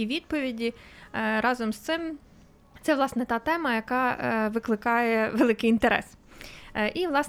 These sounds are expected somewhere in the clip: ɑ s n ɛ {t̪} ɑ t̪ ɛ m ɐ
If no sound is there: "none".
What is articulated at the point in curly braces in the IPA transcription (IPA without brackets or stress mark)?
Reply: t̪